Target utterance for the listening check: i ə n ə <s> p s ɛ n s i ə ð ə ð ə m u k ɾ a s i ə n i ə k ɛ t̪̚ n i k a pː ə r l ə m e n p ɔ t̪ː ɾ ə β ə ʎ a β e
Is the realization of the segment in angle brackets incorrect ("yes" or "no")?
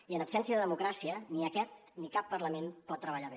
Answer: yes